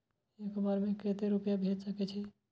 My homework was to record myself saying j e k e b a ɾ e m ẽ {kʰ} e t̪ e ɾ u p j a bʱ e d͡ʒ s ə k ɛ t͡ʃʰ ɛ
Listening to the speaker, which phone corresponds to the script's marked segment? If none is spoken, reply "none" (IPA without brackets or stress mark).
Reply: k